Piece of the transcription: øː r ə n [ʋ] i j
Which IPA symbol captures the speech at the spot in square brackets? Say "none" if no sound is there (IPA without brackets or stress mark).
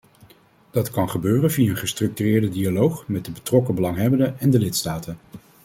v